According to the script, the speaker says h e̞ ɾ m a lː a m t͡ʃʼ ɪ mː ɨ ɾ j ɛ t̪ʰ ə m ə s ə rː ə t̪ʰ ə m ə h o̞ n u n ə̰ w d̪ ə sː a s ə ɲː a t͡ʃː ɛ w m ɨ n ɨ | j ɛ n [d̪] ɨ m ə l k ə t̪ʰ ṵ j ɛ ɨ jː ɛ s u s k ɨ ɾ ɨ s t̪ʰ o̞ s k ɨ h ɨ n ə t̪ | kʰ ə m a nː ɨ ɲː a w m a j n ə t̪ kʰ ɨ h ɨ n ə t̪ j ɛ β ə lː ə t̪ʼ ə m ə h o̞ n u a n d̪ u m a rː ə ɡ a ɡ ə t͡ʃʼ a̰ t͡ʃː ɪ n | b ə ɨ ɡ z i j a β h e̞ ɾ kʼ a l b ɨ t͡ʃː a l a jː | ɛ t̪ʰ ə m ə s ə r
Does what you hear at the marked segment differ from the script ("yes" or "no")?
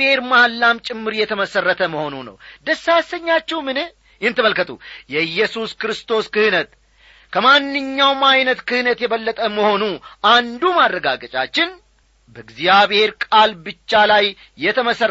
yes